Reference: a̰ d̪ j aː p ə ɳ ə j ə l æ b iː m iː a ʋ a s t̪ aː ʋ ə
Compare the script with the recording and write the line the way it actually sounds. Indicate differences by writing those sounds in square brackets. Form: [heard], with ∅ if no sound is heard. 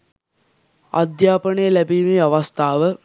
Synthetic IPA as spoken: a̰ d̪ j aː p ə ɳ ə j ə l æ b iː m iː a ʋ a s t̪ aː ʋ ə